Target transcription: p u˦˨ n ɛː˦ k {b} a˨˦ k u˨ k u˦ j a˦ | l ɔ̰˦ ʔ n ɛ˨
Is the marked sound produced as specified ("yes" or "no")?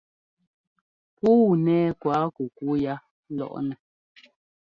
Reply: no